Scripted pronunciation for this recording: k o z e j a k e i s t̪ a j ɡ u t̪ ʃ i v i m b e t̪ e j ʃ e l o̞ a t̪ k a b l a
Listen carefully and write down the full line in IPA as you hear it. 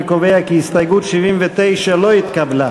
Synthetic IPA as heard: k o v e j a k i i s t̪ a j ɡ u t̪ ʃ i v i m v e t̪ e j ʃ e l o̞ i t̪ k a b l a